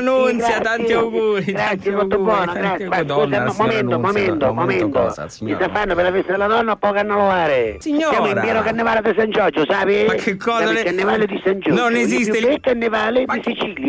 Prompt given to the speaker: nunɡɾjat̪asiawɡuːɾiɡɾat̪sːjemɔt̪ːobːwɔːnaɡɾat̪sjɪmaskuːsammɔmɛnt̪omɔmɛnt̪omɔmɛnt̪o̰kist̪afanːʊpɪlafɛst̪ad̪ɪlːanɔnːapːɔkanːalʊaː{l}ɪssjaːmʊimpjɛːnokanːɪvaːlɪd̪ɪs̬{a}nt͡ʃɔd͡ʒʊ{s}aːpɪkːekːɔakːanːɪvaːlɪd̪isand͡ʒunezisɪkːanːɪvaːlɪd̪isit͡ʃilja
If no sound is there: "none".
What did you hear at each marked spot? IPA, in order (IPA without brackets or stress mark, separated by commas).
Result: ɾ, a, s